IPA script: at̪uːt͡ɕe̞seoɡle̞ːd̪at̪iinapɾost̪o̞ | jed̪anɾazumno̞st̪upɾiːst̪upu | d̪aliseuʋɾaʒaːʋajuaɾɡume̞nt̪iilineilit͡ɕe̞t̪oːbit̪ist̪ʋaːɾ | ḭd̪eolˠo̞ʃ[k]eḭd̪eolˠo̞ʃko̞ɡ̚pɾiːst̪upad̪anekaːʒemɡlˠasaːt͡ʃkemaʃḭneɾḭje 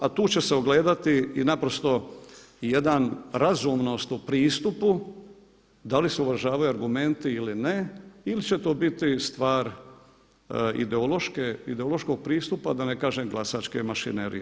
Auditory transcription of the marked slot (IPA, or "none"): k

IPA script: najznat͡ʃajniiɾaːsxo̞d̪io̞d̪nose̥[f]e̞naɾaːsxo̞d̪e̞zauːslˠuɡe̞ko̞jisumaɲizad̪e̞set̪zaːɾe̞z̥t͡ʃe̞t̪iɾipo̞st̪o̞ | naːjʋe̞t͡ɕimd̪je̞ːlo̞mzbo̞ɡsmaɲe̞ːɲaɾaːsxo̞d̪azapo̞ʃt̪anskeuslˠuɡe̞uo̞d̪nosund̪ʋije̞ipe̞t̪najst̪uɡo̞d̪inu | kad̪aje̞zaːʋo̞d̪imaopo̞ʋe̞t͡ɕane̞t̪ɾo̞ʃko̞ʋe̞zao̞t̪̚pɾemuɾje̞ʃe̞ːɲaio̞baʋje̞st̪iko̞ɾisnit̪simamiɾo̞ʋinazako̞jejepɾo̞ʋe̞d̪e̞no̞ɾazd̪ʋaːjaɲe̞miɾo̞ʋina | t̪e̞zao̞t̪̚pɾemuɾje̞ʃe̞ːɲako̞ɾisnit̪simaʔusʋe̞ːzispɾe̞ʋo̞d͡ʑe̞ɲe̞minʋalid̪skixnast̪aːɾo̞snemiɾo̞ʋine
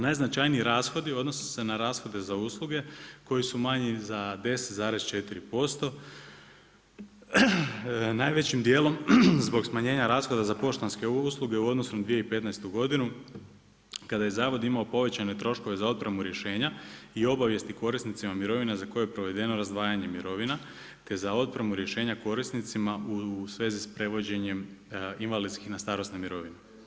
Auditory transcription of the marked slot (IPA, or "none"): s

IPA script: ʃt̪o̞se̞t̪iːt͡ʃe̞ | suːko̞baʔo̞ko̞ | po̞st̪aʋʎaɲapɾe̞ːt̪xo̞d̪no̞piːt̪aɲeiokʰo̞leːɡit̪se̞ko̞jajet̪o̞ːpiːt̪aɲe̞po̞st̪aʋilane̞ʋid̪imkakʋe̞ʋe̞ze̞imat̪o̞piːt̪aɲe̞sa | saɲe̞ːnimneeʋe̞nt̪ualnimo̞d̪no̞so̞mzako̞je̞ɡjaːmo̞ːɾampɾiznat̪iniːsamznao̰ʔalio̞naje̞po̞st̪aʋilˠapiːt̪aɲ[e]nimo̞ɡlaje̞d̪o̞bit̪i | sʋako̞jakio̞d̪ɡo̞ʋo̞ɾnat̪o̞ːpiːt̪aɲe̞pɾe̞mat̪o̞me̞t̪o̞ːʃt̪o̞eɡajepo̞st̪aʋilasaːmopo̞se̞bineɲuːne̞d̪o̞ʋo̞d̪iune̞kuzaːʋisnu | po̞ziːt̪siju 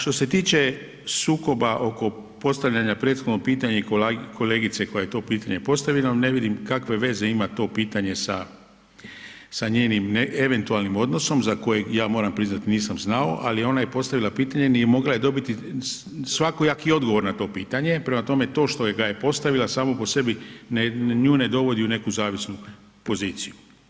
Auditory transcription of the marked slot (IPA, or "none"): e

